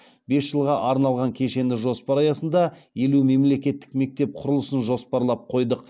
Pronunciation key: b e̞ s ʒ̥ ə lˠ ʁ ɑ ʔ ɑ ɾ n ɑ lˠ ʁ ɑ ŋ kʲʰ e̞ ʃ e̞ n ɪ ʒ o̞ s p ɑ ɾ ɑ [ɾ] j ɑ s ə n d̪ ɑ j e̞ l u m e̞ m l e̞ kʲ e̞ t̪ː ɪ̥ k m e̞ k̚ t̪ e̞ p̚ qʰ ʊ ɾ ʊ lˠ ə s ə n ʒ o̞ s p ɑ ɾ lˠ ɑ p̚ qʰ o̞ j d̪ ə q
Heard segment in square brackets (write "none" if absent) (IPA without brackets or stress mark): none